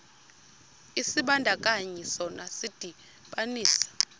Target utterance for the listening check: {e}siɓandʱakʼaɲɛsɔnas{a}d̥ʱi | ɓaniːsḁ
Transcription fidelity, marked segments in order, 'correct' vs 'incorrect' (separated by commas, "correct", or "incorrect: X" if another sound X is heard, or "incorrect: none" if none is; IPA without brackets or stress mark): incorrect: i, incorrect: i